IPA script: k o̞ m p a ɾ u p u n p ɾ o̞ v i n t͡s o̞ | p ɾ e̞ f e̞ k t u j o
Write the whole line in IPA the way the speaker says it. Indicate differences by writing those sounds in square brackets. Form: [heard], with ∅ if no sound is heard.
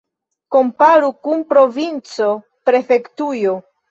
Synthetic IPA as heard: k o̞ m p a ɾ u [k] u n p ɾ o̞ v i n t͡s o̞ | p ɾ e̞ f e̞ k t u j o